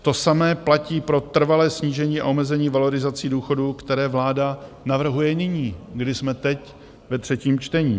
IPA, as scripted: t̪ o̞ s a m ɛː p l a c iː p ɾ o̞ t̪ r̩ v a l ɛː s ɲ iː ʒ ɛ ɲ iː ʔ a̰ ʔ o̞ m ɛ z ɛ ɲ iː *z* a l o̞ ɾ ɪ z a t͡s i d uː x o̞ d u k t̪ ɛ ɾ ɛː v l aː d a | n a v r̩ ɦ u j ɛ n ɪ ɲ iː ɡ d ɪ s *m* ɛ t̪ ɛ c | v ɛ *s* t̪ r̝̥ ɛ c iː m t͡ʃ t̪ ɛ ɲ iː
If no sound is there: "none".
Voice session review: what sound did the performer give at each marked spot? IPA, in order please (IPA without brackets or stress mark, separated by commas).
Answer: v, m, none